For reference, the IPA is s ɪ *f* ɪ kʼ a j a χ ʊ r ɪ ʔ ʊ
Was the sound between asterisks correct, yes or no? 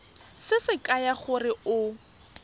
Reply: no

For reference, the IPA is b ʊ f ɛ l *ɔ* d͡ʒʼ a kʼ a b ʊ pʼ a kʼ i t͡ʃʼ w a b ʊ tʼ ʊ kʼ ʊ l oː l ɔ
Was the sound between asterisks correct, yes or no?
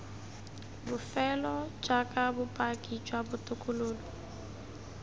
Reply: yes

